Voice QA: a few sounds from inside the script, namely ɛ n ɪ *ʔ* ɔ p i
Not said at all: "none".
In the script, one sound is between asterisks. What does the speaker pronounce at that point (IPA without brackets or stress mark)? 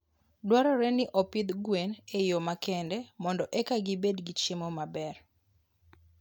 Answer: ʔ